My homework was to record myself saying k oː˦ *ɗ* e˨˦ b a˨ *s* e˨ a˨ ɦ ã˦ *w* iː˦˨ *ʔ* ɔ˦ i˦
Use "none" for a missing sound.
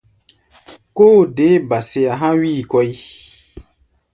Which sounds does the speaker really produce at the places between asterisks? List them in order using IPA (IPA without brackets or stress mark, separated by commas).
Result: d, s, w, k